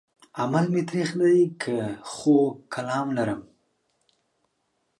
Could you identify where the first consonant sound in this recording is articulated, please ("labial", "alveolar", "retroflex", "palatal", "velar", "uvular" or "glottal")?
labial